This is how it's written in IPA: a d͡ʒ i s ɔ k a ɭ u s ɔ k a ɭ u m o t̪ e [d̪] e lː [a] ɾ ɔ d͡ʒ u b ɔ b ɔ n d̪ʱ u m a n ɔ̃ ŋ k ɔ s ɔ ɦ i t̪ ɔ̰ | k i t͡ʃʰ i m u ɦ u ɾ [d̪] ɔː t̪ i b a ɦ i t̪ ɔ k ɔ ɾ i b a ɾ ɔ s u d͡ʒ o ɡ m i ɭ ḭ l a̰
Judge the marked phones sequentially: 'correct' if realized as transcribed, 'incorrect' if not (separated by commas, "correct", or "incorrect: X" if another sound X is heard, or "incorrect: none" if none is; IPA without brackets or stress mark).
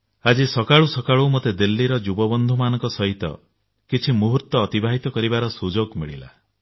correct, incorrect: i, incorrect: t̪